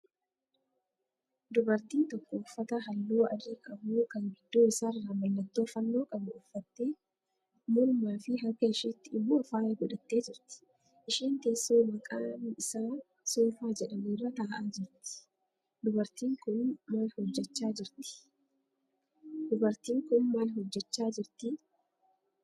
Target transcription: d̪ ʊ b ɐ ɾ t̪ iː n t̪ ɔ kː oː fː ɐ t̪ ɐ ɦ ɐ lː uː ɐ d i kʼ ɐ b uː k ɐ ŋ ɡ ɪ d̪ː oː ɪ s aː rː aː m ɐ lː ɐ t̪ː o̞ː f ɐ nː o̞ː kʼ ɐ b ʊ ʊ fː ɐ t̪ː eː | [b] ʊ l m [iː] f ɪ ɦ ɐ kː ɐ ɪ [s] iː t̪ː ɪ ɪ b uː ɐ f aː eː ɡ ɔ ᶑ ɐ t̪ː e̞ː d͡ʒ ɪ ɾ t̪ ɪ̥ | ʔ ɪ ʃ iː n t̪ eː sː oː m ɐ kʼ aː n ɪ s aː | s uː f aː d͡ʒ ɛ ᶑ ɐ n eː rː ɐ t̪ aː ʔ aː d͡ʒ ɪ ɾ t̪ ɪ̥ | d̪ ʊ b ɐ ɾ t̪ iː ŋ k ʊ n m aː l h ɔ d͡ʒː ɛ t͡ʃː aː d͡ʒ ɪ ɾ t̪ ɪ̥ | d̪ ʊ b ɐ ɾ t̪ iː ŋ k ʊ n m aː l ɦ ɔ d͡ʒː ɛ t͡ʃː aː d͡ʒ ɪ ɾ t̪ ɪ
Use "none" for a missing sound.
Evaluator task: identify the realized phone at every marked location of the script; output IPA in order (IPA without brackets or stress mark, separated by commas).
m, aː, ʃ